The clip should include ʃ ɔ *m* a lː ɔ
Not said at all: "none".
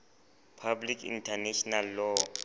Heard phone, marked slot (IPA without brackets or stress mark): n